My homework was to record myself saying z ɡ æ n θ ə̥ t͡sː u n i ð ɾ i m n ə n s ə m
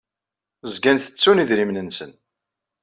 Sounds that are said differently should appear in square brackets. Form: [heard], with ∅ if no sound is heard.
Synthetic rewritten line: z ɡ æ n θ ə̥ t͡sː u n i ð ɾ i m n ə n s ə [n]